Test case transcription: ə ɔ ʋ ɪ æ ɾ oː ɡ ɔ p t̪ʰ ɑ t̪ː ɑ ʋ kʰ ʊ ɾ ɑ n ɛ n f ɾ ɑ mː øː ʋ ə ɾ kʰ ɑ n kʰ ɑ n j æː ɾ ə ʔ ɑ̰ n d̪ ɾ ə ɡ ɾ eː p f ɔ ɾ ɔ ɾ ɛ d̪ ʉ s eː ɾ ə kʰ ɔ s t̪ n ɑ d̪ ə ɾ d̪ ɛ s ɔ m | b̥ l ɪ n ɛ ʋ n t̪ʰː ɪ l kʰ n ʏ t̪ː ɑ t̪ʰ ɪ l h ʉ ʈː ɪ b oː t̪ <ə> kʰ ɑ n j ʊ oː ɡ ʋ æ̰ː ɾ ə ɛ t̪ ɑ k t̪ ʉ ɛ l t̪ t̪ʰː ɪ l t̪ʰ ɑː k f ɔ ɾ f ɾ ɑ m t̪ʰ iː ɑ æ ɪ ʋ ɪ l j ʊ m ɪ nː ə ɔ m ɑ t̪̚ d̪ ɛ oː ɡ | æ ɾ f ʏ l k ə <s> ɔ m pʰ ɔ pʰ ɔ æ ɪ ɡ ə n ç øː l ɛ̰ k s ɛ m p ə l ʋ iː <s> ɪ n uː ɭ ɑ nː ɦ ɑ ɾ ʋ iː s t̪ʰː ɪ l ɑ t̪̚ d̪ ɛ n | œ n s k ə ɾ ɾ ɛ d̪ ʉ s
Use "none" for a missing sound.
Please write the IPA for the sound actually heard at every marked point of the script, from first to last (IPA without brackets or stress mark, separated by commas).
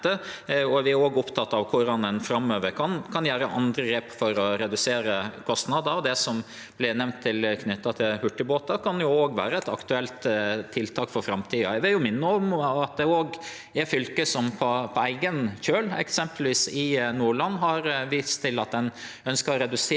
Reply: ɑ, s, s